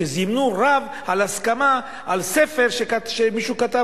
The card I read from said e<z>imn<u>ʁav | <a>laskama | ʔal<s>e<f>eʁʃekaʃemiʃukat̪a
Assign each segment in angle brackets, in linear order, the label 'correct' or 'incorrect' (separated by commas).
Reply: correct, correct, correct, correct, correct